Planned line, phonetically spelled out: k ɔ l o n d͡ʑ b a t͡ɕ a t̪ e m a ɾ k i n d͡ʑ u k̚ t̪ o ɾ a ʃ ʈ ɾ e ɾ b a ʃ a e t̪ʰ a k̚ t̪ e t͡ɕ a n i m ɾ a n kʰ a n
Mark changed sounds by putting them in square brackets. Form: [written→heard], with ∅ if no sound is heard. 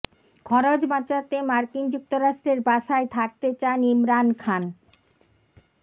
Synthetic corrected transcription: [k→kʰ] ɔ [l→ɾ] o [n→∅] d͡ʑ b a t͡ɕ a t̪ e m a ɾ k i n d͡ʑ u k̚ t̪ o ɾ a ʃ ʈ ɾ e ɾ b a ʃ a e t̪ʰ a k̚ t̪ e t͡ɕ a n i m ɾ a n kʰ a n